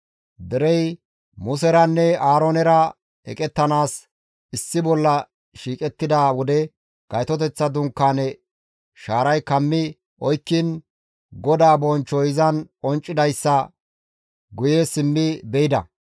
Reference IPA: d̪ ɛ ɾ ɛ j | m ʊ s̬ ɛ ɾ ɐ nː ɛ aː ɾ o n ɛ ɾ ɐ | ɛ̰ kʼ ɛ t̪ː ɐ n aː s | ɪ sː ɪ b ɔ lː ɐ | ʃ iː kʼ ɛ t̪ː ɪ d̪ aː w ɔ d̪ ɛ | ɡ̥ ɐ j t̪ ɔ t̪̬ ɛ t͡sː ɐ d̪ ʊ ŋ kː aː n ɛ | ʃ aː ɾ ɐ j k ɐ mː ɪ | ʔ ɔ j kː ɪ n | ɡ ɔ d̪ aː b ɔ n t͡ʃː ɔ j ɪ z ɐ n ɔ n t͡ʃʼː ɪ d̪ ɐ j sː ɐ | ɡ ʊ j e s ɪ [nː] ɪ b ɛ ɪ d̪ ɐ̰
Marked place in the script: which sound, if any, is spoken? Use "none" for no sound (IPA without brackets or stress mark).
mː